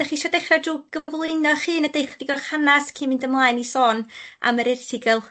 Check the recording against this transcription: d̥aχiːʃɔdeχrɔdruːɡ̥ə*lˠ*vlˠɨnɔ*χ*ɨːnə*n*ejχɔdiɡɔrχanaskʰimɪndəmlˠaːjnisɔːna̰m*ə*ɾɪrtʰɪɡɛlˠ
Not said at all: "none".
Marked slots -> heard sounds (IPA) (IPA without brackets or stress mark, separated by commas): none, χ, d, ə